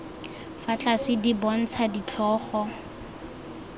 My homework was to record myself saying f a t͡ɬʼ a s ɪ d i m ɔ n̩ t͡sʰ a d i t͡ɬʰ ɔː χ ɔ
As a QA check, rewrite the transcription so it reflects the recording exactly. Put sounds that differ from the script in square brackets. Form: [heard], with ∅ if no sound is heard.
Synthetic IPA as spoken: f a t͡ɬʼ a s ɪ d i [b] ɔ n̩ t͡sʰ a d i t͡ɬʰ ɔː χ ɔ